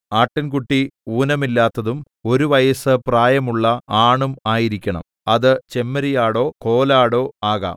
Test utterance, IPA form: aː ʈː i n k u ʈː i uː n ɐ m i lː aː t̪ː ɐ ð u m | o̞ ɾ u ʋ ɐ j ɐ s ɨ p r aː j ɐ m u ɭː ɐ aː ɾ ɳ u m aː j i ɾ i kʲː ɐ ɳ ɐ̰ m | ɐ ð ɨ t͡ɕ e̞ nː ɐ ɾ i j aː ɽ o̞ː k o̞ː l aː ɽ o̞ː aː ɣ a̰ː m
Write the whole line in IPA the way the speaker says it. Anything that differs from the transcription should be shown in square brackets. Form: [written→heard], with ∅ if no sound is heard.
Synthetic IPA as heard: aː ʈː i n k u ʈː i uː n ɐ m i lː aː t̪ː ɐ ð u m | o̞ ɾ u ʋ ɐ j ɐ s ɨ p r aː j ɐ m u ɭː ɐ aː [ɾ→∅] ɳ u m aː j i ɾ i kʲː ɐ ɳ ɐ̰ m | ɐ ð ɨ t͡ɕ e̞ [nː→mː] ɐ ɾ i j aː ɽ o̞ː k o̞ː l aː ɽ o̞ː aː ɣ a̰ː m